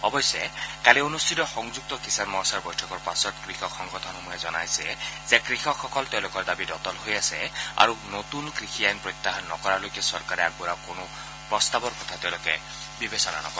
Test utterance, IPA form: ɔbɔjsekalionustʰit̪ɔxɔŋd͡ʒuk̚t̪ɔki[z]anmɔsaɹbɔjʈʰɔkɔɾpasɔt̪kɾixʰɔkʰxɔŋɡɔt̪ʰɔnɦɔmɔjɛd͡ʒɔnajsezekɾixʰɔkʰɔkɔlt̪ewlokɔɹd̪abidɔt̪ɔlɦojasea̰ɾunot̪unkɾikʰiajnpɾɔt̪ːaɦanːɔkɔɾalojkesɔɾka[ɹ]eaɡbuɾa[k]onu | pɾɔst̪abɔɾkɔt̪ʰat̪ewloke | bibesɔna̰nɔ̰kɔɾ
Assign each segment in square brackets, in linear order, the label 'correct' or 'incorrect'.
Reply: incorrect, incorrect, correct

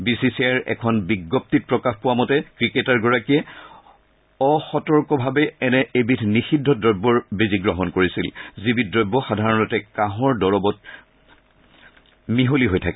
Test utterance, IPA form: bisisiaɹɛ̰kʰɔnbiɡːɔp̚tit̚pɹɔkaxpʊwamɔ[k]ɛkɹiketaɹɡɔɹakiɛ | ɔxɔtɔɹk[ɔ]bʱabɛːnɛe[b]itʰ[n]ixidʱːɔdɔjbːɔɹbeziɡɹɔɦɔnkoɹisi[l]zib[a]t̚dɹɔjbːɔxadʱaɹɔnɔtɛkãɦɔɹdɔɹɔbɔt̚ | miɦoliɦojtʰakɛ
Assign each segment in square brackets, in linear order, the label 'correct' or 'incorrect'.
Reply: incorrect, correct, correct, correct, correct, incorrect

